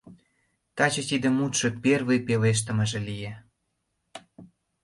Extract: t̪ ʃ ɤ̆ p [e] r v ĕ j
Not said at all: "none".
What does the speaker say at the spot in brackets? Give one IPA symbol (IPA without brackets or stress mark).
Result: e